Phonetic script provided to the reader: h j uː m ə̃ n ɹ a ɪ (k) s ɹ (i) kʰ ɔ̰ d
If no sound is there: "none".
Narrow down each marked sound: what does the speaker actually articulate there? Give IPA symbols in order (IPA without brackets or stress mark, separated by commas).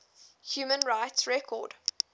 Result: t, ɛ